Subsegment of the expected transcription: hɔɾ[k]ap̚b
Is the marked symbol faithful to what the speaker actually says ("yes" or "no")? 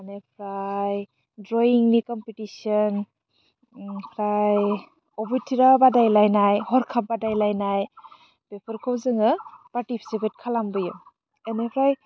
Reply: no